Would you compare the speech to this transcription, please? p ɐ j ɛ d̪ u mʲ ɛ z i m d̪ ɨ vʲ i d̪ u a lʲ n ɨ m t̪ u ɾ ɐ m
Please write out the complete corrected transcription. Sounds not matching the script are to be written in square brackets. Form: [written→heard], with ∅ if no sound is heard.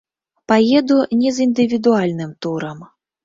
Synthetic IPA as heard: p [ɐ→a] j ɛ d̪ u [mʲ→nʲ] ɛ z i [m→n] d̪ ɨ vʲ i d̪ u a lʲ n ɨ m t̪ u ɾ ɐ m